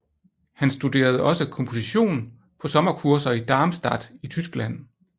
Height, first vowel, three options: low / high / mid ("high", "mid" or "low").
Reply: low